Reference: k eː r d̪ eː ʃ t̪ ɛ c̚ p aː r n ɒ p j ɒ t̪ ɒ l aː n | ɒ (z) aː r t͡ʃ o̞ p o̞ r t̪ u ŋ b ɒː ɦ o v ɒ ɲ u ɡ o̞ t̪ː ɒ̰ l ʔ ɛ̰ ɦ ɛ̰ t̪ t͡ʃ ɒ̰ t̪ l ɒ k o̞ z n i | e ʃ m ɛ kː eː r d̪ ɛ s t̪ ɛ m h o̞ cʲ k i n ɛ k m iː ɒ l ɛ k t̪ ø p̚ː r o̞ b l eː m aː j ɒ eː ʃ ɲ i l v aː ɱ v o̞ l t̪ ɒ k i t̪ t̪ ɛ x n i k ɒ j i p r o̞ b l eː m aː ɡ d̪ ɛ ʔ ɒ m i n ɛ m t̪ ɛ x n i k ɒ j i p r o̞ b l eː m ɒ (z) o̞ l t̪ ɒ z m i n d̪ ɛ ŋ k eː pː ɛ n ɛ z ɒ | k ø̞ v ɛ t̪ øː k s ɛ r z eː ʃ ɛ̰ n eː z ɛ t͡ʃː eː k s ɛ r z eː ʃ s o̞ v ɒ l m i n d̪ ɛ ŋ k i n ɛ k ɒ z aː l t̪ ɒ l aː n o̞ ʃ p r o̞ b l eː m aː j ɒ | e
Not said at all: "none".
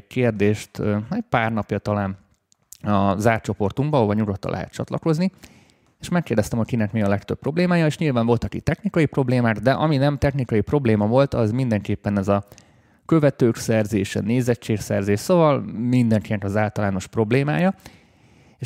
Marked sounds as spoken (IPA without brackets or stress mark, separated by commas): z, v